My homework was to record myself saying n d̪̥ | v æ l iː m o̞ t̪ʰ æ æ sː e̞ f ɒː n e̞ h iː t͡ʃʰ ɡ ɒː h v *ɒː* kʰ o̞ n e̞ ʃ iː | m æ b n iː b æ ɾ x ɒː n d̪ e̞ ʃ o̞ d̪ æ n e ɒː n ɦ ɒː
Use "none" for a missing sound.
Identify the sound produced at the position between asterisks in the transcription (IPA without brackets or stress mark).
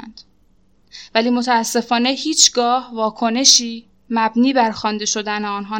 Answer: ɒː